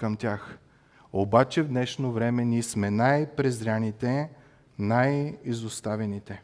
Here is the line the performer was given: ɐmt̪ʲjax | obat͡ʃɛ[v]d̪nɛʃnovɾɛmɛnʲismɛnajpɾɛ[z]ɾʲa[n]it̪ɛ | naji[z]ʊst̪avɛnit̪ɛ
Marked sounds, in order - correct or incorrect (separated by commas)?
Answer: correct, correct, correct, correct